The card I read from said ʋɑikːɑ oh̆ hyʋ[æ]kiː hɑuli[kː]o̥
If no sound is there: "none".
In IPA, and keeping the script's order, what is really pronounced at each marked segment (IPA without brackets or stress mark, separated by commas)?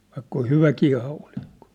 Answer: æ, kː